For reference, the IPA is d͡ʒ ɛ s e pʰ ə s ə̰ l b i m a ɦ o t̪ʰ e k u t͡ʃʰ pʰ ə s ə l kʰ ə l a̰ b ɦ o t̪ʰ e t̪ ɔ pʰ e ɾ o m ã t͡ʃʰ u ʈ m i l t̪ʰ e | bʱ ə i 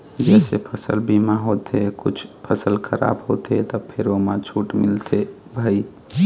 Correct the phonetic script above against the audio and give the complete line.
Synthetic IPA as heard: d͡ʒ ɛ s e pʰ ə s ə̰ l b i m a ɦ o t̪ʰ e k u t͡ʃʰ pʰ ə s ə l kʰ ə ɾ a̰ b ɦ o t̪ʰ e t̪ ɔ pʰ e ɾ o m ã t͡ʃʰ u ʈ m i l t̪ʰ e | bʱ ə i